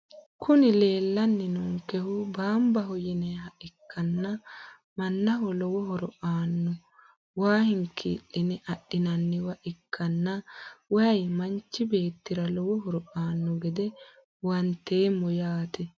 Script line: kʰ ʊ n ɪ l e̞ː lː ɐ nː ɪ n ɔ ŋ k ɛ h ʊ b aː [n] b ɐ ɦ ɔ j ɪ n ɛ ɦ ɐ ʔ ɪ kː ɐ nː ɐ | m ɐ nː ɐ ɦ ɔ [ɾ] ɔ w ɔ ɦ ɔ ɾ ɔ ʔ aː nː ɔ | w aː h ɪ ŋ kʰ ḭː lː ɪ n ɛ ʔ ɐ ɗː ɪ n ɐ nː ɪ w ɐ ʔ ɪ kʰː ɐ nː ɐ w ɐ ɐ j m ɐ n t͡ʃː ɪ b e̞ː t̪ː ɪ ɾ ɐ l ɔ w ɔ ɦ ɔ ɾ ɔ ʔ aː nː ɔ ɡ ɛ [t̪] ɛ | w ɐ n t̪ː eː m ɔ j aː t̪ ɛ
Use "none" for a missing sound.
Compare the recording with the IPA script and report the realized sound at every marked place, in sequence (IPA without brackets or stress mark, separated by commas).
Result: m, l, d̪